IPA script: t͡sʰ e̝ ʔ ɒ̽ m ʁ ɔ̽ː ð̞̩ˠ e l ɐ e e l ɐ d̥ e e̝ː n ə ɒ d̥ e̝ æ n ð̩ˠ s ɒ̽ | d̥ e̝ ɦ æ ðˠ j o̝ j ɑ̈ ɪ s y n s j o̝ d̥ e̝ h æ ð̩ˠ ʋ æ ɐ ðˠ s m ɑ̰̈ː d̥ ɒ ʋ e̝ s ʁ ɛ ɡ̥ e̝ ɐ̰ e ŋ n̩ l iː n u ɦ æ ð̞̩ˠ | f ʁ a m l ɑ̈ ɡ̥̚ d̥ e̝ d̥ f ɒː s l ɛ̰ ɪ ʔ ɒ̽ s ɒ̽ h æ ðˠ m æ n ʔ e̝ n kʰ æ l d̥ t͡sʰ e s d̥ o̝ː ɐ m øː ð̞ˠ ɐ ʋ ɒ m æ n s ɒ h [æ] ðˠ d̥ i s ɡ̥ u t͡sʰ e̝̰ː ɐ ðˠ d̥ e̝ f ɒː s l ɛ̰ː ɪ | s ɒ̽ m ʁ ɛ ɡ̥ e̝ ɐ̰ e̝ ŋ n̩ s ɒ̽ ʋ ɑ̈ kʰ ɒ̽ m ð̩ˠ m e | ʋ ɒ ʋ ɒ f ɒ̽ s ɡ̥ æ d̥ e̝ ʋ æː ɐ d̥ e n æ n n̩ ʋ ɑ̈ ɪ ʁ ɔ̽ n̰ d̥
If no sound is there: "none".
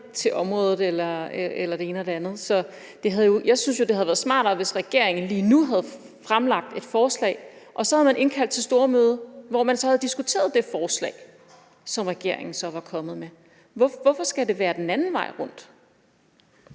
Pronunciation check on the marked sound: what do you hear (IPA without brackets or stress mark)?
æ